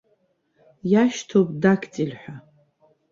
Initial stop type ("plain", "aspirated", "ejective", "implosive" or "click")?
aspirated